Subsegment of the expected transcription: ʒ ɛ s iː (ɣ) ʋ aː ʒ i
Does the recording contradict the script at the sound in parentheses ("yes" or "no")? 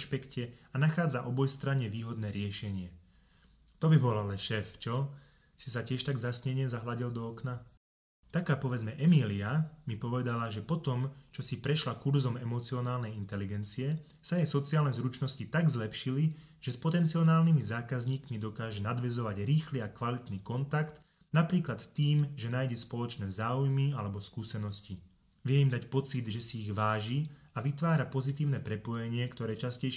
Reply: no